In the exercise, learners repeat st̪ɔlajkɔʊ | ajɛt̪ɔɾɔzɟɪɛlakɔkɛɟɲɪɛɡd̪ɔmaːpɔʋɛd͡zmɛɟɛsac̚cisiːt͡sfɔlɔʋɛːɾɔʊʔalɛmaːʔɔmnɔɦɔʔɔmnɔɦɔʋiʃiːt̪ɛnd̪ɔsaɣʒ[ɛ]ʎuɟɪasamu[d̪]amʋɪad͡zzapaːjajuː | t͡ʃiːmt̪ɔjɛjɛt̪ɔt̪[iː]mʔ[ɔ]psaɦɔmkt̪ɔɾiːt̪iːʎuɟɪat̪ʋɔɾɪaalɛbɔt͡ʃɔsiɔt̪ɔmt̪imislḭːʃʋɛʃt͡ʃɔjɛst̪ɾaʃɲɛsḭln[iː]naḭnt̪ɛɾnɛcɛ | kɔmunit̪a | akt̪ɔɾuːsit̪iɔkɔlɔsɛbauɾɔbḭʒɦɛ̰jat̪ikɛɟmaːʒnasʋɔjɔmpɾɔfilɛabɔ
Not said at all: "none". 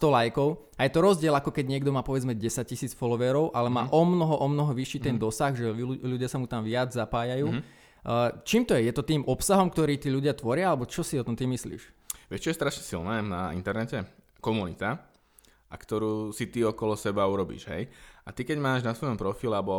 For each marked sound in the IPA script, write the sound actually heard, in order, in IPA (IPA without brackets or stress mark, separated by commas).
ɛ, t̪, iː, ɔ, ɛː